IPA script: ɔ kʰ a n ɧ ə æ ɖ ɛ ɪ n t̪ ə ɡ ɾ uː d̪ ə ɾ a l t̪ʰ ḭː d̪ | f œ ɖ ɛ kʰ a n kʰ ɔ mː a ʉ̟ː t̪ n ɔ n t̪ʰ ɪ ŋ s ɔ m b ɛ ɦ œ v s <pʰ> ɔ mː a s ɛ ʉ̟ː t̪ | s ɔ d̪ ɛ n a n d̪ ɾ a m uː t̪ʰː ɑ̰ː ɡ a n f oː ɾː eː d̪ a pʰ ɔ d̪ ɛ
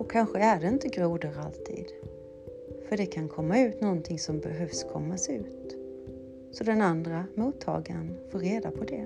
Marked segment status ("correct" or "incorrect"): incorrect